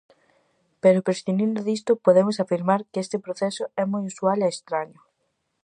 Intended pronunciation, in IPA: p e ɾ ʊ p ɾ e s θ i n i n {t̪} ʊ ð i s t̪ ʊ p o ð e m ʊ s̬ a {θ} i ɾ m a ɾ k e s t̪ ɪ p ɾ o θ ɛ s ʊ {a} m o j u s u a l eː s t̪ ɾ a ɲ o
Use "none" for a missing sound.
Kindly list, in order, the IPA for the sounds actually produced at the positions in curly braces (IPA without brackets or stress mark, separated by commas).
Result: d̪, f, ɛ